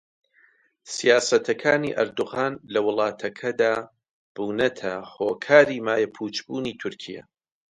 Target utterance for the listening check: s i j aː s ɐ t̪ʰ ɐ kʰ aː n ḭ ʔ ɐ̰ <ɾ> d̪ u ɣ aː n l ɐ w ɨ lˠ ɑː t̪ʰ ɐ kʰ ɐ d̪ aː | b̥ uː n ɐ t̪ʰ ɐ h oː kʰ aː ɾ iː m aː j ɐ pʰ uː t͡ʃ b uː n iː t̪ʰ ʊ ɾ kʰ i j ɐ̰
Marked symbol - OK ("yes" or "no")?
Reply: yes